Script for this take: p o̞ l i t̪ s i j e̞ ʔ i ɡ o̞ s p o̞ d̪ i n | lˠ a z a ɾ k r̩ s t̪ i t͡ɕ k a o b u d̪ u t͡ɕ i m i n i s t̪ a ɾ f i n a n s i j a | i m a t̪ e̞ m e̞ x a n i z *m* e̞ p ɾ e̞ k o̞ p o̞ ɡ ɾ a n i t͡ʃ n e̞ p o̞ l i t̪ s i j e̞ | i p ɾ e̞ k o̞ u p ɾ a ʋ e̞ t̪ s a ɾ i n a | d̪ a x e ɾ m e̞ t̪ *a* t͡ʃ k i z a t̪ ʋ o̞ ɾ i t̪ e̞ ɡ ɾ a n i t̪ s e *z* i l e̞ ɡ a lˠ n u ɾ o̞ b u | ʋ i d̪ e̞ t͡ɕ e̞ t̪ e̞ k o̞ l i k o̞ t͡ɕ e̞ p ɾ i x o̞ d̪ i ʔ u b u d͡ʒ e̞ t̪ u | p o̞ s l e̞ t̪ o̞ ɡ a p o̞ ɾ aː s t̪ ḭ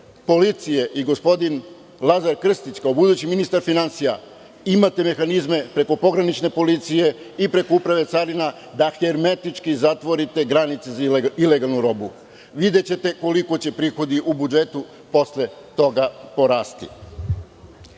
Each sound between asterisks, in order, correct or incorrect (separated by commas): correct, incorrect, correct